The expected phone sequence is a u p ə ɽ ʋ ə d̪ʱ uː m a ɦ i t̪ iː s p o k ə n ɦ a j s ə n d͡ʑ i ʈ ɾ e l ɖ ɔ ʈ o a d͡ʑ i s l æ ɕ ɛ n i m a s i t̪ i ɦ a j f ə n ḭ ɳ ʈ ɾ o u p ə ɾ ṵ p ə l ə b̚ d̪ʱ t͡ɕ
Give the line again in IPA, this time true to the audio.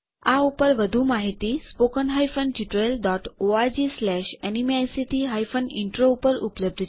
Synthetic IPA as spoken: a u p ə ɾ ʋ ə d̪ʱ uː m a ɦ i t̪ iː s p o k ə n ɦ a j f ə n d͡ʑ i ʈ ɾ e l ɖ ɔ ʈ o a d͡ʑ i s l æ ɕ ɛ n i m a s i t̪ i ɦ a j f ə n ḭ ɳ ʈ ɾ o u p ə ɾ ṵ p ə l ə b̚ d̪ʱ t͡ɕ